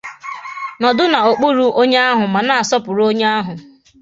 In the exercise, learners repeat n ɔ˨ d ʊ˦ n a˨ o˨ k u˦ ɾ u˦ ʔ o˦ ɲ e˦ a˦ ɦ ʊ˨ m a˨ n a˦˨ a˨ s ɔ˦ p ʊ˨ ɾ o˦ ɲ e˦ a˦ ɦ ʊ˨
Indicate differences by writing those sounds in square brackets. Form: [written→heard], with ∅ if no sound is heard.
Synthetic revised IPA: n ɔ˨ d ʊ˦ n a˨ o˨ [k→k͡p] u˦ ɾ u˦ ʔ o˦ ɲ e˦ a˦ ɦ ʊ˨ m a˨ n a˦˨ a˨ s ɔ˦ p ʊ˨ ɾ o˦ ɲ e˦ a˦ ɦ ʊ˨